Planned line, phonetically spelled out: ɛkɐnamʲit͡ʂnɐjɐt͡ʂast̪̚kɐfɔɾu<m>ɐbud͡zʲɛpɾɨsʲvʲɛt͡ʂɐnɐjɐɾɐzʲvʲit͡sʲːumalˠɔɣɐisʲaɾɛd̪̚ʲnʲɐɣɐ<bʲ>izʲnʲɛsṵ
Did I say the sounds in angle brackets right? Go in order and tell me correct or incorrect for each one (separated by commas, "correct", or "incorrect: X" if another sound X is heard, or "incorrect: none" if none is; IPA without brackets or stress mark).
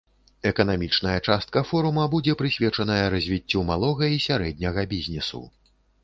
correct, correct